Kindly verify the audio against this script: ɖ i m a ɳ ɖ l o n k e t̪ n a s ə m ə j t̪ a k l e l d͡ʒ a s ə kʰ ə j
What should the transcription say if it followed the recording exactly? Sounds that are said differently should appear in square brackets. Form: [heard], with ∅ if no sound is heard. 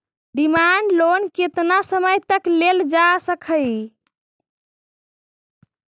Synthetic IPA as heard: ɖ i m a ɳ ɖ l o n k e t̪ n a s ə m ə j t̪ [ə] k l e l d͡ʒ a s ə kʰ ə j